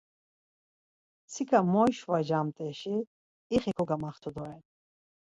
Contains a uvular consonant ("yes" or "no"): yes